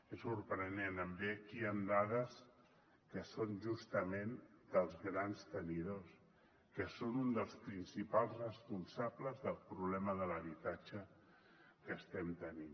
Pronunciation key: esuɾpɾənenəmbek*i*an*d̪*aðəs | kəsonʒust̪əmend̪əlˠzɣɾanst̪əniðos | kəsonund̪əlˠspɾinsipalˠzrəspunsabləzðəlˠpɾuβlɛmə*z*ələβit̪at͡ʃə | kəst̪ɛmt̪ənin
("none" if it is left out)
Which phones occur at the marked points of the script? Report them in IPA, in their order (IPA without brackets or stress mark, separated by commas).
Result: i, d̪, ð